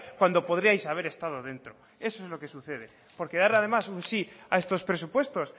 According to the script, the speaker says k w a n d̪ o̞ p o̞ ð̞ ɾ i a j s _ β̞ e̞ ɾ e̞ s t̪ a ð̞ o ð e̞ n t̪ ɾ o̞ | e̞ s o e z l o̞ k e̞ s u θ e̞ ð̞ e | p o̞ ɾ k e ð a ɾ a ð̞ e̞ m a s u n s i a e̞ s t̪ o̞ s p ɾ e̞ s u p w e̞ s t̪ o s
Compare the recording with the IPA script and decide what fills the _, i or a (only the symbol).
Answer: a